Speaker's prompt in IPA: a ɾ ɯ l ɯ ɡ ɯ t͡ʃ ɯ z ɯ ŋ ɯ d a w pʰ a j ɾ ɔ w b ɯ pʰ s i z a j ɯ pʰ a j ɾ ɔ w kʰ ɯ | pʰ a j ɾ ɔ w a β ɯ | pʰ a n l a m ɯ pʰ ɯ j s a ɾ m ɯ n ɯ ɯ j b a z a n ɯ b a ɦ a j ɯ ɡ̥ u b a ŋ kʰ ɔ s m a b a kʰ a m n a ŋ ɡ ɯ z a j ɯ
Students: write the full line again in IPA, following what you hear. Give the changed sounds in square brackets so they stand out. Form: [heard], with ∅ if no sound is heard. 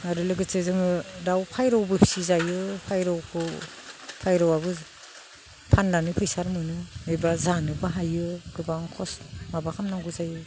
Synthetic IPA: a ɾ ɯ l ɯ ɡ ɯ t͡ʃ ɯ z ɯ ŋ ɯ d a w pʰ a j ɾ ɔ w b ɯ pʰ s i z a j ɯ pʰ a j ɾ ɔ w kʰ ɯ | pʰ a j ɾ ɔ w a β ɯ | pʰ a n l a [n] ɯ pʰ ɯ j s a ɾ m ɯ n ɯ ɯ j b a z a n ɯ b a ɦ a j ɯ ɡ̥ [ɯ] b a ŋ kʰ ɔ s m a b a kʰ a m n a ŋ ɡ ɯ z a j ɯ